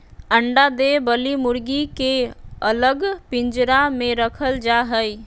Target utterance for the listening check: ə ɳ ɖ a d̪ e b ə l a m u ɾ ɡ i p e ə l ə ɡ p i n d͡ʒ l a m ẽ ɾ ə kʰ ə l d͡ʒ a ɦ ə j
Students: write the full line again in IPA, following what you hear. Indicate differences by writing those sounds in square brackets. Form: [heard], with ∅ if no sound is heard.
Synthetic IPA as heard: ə ɳ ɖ a d̪ e b ə l [i] m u ɾ ɡ i [k] e ə l ə ɡ p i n d͡ʒ [ɾ] a m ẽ ɾ ə kʰ ə l d͡ʒ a ɦ ə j